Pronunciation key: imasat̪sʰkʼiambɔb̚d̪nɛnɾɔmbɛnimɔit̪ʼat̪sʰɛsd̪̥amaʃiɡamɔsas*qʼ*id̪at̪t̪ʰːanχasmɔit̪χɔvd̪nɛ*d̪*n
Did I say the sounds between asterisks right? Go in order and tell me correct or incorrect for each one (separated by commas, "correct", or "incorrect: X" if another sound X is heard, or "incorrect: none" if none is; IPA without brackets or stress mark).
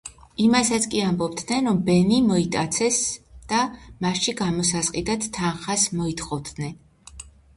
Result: correct, incorrect: none